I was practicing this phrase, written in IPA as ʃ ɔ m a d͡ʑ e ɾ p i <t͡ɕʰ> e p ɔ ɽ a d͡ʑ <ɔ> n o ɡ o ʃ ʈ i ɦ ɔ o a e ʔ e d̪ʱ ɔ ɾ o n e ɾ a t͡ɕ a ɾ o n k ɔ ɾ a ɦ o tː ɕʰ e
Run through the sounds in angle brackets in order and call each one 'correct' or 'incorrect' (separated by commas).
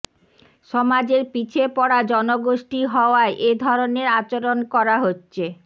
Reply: correct, correct